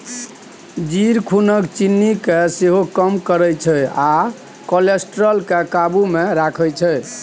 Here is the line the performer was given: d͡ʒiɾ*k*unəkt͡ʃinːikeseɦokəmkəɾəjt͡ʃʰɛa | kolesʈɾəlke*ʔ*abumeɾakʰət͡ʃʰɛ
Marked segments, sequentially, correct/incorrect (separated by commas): incorrect, incorrect